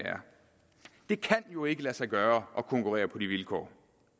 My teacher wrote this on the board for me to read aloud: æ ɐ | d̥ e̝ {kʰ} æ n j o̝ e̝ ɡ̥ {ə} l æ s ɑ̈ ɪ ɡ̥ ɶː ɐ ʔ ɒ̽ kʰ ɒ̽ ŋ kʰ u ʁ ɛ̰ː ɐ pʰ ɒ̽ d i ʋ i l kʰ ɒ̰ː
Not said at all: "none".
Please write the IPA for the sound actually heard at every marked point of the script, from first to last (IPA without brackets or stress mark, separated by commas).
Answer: kʰ, ə